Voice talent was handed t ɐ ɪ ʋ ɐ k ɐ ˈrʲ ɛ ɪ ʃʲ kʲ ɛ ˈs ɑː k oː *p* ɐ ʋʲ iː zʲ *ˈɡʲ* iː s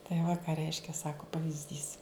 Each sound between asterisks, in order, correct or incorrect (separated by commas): correct, incorrect